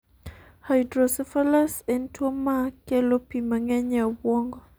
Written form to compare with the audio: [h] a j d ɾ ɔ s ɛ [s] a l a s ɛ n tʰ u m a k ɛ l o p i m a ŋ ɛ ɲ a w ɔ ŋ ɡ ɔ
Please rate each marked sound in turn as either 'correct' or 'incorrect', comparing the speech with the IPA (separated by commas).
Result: correct, incorrect